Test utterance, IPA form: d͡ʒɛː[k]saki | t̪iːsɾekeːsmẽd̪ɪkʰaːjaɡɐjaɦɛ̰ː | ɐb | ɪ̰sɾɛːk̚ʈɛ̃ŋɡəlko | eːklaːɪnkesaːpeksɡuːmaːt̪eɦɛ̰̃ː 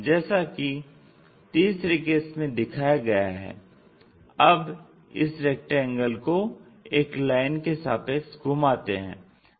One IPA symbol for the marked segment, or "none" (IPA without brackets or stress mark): none